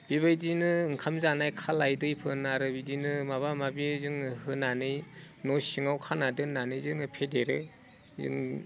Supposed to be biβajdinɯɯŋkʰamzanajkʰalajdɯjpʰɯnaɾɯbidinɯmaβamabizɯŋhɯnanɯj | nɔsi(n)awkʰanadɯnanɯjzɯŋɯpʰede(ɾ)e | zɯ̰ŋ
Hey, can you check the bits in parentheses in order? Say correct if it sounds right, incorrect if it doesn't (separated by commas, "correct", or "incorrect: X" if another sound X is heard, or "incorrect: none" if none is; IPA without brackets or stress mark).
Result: incorrect: ŋ, correct